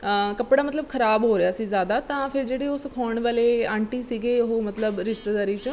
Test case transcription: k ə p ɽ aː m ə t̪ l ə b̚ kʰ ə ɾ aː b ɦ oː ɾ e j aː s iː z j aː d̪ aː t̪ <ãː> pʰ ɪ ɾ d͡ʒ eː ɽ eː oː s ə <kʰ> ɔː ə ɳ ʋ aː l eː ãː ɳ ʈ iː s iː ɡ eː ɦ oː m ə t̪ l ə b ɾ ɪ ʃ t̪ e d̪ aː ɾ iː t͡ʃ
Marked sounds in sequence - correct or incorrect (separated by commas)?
correct, correct